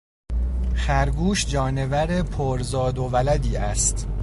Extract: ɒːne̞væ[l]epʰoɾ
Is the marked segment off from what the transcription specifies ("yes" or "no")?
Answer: yes